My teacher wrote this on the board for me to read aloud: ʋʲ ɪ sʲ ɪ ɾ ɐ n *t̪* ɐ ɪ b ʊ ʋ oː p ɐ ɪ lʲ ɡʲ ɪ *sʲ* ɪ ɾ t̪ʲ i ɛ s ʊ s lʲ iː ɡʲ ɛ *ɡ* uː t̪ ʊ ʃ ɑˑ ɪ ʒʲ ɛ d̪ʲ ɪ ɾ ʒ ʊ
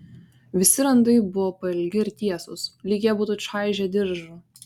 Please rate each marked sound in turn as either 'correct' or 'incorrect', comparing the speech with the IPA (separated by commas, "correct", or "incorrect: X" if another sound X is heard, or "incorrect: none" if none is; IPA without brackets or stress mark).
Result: incorrect: d̪, incorrect: none, incorrect: b